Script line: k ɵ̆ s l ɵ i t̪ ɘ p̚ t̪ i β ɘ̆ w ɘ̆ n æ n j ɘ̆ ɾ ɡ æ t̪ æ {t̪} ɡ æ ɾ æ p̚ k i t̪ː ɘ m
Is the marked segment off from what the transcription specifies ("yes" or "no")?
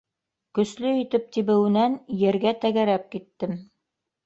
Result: yes